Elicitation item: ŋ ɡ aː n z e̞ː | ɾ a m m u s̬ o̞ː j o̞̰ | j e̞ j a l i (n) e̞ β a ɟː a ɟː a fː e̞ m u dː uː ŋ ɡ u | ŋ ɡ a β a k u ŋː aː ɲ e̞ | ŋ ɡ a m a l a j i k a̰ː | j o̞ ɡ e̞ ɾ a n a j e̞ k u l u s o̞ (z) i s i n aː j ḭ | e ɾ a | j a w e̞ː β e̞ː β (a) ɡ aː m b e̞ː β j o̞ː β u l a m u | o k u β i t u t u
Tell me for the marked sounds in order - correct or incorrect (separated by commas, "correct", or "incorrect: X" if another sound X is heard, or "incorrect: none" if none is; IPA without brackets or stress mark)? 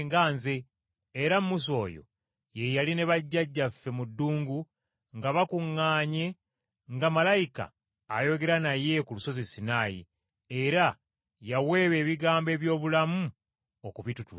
correct, correct, incorrect: i